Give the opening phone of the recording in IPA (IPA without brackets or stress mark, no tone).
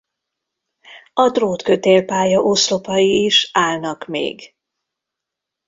ɒ